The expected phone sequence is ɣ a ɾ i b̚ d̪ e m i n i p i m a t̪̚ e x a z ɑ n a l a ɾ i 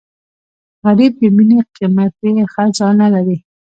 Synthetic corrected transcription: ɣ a ɾ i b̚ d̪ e m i n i q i m a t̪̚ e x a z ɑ n a l a ɾ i